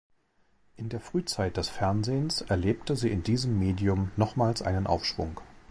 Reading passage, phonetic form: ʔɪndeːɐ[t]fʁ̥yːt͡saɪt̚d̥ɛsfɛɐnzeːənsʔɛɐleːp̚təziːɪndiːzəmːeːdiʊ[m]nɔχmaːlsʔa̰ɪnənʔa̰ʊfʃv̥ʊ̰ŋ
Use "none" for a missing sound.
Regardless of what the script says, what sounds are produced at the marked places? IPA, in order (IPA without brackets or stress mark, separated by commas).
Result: none, m